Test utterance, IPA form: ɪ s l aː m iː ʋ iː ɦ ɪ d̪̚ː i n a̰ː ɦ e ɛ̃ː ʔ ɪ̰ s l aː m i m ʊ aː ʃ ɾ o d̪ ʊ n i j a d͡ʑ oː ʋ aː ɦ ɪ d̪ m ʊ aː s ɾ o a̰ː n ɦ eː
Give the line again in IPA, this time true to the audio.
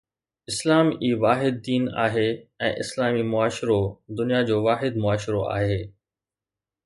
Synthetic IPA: ɪ s l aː m iː ʋ aː ɦ ɪ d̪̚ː iː n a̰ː ɦ e ɛ̃ː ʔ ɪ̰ s l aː m i m ʊ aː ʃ ɾ o d̪ ʊ n i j a d͡ʑ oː ʋ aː ɦ ɪ d̪ m ʊ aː ʃ ɾ o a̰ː ɦ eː